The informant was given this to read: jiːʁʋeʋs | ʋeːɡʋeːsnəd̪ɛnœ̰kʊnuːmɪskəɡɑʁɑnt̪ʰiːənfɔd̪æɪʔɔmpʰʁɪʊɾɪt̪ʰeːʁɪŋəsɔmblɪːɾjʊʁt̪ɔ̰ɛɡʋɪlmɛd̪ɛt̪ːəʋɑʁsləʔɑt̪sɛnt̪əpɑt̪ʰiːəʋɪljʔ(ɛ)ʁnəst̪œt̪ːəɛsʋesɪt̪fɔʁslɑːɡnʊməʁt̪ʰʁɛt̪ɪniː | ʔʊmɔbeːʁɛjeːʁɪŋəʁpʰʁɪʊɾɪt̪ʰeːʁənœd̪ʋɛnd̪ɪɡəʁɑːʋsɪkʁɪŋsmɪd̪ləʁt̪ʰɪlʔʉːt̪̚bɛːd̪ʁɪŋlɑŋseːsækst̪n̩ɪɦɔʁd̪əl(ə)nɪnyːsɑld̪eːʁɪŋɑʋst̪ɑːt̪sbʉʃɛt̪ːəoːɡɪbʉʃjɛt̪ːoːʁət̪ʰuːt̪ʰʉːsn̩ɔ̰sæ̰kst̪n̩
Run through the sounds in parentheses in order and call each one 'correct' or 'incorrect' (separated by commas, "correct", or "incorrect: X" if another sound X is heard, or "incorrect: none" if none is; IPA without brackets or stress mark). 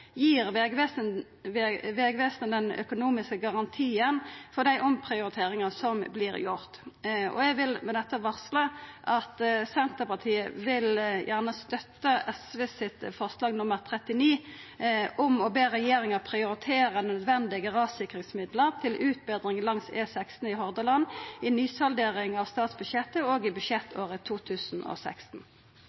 incorrect: æ, incorrect: ɑ